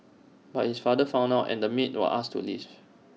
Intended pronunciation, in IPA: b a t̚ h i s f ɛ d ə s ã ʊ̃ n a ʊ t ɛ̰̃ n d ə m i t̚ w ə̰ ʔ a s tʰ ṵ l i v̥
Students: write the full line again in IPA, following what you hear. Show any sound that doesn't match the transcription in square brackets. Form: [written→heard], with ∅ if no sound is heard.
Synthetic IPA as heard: b a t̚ h i s f [ɛ→a] d ə [s→f] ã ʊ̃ n a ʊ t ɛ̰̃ n d ə m i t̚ w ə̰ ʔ a s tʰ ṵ l i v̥

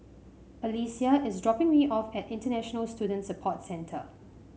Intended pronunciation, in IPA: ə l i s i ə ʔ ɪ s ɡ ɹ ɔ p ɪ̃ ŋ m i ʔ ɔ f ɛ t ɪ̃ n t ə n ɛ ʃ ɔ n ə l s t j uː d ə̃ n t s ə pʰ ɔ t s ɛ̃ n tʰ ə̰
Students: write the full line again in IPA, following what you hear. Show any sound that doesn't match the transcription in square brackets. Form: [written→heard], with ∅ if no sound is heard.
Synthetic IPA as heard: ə l i s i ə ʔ ɪ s [ɡ→d] ɹ ɔ p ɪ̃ ŋ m i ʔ ɔ f ɛ t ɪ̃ n t ə n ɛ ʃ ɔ n ə l s t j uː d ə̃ n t s ə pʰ ɔ t s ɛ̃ n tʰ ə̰

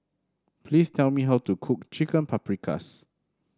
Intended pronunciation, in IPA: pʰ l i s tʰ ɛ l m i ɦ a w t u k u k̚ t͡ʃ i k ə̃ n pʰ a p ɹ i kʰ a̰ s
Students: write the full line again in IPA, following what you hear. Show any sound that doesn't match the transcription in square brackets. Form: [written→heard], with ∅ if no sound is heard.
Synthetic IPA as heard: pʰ l i s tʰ ɛ l m i ɦ a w t u [k→kʰ] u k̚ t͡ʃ i k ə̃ n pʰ a p ɹ i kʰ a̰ s

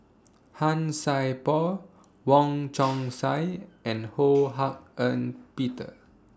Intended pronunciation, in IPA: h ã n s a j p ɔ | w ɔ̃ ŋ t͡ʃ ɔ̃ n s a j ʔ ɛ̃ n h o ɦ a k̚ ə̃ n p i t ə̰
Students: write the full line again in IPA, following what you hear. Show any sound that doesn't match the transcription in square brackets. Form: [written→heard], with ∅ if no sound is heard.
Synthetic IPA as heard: h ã n s a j p ɔ | w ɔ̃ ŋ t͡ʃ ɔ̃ [n→ŋ] s a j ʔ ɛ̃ n h o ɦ a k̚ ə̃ n p i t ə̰

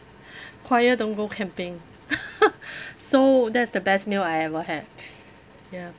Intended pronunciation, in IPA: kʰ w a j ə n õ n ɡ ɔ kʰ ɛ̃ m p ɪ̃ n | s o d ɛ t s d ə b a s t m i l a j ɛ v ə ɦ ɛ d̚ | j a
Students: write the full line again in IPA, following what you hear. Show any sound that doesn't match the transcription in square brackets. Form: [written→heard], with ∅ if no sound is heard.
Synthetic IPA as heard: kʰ w a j ə [n→d] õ n ɡ [ɔ→o] kʰ ɛ̃ m p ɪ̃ [n→ŋ] | s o d ɛ t s d ə b [a→ɛ] s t m i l a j ɛ v ə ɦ ɛ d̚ | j a

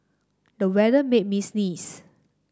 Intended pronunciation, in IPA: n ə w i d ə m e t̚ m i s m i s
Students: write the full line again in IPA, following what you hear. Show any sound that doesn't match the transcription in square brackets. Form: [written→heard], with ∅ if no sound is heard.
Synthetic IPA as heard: [n→d] ə w [i→ɛ] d ə m e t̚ m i s [m→n] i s

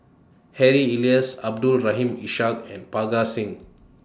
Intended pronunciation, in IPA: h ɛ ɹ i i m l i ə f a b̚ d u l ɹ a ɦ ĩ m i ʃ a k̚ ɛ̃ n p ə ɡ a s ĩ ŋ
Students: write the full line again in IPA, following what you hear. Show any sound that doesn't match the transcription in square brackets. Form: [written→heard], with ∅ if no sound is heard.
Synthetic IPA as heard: h ɛ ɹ i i [m→∅] l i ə [f→s] a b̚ d u l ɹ a ɦ ĩ m i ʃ a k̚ ɛ̃ n p [ə→a] ɡ a s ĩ ŋ

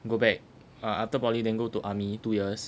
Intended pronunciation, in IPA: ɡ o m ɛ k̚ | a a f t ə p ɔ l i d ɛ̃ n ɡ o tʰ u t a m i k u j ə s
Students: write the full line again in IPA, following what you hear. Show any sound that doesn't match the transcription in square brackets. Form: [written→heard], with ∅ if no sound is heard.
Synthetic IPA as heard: ɡ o [m→b] ɛ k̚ | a a f t ə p ɔ l i d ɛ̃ n ɡ o [tʰ→t] u [t→ʔ] a m i [k→t] u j ə s

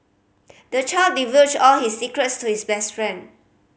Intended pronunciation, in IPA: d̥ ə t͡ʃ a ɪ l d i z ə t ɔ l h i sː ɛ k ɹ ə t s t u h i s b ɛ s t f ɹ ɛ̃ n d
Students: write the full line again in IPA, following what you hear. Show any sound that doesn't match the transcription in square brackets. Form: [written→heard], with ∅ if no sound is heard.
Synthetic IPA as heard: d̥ ə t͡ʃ a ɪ l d i [z→v] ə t ɔ l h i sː [ɛ→i] k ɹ ə t s t u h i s b ɛ s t f ɹ ɛ̃ n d

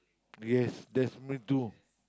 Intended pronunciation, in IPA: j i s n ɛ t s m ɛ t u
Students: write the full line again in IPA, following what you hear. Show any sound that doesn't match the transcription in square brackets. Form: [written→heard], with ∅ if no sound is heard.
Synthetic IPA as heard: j [i→ɛ] s [n→d] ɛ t s m [ɛ→i] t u

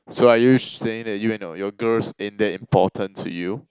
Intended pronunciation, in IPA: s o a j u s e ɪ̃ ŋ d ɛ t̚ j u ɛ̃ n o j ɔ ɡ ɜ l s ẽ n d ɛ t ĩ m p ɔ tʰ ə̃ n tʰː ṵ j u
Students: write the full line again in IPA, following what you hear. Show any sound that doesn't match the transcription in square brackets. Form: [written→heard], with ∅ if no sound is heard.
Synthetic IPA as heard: s o a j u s e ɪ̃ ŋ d ɛ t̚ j u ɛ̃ n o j ɔ ɡ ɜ l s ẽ n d ɛ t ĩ m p ɔ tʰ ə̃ n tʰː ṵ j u

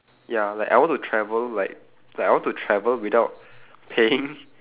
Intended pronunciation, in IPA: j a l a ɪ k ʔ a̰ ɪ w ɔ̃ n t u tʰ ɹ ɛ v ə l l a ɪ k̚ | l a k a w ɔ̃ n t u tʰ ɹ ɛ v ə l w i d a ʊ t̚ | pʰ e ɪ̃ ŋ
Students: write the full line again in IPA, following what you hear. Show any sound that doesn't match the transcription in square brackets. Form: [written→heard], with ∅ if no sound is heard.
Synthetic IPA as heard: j a l a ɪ k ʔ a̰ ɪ w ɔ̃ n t u tʰ ɹ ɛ v ə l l a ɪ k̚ | l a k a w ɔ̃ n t u tʰ ɹ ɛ v ə l w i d a ʊ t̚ | pʰ e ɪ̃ ŋ

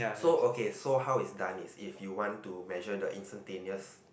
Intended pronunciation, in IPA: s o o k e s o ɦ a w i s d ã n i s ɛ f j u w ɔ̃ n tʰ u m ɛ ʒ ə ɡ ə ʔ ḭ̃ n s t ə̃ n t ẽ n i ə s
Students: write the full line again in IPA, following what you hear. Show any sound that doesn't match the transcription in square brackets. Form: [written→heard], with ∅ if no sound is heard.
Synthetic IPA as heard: s o o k e s o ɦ a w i s d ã n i s [ɛ→i] f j u w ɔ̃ n [tʰ→t] u m ɛ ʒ ə [ɡ→d] ə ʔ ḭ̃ n s t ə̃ n t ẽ n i ə s

